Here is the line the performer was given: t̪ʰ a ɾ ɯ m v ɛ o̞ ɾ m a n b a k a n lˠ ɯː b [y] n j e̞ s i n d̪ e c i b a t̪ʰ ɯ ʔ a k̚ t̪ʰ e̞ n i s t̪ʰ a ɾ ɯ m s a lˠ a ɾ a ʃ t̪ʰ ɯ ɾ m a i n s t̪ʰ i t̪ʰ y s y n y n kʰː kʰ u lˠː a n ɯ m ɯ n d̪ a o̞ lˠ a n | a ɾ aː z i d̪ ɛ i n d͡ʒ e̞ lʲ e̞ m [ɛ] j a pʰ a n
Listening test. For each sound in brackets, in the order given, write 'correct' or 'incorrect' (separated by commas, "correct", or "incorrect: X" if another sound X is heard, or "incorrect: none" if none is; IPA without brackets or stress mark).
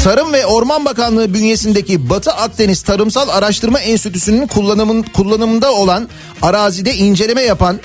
correct, correct